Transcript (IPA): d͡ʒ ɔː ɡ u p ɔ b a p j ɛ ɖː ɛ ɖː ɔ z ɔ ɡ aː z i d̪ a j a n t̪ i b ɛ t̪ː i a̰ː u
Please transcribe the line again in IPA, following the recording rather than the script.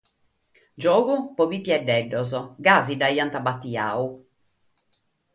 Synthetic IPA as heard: d͡ʒ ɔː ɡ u p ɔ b i p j ɛ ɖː ɛ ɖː ɔ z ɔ ɡ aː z i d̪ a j a n t̪ a b a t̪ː i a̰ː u